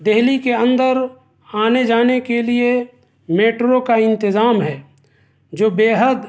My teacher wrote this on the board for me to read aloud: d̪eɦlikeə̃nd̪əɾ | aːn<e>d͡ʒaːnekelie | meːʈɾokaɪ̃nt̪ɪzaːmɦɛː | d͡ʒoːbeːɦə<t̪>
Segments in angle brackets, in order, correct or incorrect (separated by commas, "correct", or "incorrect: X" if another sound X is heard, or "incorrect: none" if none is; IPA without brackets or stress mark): correct, incorrect: d̪